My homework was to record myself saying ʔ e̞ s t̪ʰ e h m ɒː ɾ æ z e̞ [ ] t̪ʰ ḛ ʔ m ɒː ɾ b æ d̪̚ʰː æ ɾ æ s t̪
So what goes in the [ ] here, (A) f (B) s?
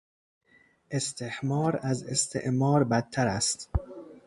B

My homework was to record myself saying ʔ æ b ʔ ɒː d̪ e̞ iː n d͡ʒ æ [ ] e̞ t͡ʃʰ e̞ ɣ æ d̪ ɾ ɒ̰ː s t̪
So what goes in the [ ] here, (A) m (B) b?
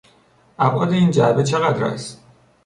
B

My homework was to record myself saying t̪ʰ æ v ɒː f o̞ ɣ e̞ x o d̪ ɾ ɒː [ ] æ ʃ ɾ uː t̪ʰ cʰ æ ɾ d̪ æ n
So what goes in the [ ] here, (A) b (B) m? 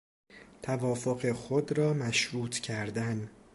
B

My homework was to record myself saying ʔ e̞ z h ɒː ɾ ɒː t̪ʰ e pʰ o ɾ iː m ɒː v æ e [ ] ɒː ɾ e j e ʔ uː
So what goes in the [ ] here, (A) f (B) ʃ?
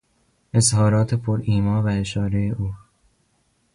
B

